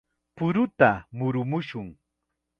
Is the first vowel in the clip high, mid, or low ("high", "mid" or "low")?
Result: high